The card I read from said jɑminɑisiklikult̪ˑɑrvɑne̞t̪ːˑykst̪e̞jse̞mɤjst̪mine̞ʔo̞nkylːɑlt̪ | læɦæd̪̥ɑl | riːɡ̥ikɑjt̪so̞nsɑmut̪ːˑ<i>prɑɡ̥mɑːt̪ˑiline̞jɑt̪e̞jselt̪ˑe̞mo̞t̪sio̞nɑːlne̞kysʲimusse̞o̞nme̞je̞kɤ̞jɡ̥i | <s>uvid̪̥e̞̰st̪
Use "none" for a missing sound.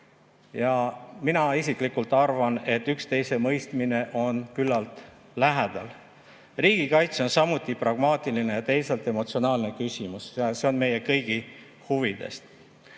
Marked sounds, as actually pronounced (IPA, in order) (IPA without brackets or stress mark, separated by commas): i, h